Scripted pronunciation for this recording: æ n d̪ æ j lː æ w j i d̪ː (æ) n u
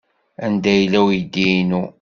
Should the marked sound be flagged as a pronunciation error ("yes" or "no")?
yes